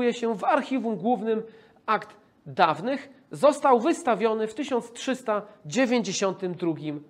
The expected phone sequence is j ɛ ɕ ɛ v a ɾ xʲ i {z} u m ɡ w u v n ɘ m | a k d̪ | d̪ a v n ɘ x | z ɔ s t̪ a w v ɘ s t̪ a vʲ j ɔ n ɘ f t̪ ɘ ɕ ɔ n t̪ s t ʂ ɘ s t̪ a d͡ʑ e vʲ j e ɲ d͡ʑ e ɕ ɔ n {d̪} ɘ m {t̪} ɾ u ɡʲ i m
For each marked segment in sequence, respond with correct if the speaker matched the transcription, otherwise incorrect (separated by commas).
incorrect, incorrect, incorrect